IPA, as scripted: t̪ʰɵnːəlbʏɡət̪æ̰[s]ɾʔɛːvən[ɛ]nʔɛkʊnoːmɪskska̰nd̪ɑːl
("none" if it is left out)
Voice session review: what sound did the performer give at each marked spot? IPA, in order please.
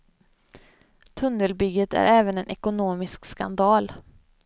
none, ɛ

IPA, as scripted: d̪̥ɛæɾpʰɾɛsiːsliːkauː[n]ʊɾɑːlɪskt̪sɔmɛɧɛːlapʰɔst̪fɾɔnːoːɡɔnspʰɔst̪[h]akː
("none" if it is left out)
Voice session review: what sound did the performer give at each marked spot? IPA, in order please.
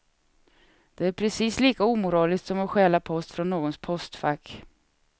m, f

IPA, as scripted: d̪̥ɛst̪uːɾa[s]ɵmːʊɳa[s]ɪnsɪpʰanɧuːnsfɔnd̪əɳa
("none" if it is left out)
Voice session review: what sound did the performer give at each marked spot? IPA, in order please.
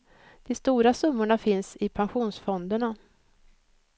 s, f

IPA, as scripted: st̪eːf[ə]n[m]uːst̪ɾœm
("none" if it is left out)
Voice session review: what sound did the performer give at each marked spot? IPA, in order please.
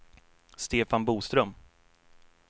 a, b

